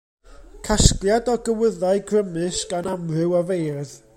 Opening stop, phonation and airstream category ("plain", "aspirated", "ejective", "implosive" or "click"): aspirated